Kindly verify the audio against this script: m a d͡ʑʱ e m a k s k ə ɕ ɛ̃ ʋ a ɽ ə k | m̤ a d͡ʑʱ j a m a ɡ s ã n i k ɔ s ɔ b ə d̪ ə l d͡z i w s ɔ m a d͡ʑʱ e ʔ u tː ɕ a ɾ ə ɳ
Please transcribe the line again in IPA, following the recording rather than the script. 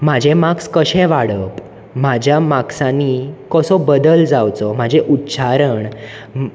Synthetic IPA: m a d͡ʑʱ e m a k s k ə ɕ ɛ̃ ʋ a ɽ ə p | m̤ a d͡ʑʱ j a m a k s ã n i k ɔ s ɔ b ə d̪ ə l d͡z a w t͡s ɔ m a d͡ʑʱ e ʔ u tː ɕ a ɾ ə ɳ